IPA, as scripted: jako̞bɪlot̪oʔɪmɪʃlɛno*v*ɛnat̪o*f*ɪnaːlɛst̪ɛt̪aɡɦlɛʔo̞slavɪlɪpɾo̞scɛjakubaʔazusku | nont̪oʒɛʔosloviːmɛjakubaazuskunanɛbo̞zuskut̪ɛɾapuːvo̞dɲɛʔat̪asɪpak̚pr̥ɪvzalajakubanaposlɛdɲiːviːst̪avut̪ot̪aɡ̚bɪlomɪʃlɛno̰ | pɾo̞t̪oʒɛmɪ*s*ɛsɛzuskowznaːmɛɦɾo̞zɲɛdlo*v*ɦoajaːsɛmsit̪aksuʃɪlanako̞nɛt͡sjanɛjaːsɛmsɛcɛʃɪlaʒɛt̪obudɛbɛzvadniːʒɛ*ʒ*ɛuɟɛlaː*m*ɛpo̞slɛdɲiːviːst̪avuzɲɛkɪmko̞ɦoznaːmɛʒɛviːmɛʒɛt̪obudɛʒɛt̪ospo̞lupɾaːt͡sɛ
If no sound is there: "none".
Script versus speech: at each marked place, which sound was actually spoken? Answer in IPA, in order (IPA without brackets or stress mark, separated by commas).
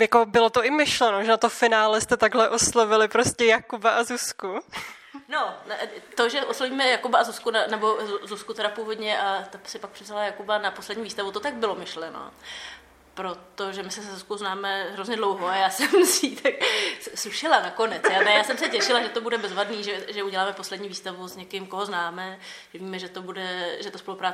ʒ, f, s, w, ʒ, m